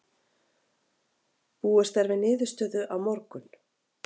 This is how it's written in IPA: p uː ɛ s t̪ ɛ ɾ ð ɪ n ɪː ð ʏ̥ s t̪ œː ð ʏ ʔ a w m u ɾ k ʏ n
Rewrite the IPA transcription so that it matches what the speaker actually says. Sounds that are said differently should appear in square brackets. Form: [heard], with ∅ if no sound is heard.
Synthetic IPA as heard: p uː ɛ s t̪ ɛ ɾ [v] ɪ n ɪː ð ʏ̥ s t̪ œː ð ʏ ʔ a w m [ɔ] ɾ k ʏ n